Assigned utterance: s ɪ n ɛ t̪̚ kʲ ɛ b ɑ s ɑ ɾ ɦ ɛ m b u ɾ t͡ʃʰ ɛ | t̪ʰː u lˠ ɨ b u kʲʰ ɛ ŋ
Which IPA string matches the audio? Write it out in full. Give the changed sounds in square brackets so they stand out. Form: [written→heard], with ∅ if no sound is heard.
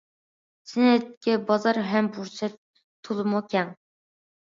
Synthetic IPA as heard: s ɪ n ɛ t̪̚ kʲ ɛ b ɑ [s→z] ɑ ɾ ɦ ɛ m b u ɾ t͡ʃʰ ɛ | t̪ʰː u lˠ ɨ [b→m] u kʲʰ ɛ ŋ